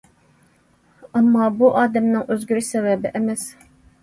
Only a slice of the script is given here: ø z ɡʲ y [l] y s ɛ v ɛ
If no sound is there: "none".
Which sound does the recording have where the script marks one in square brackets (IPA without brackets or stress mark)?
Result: ɾ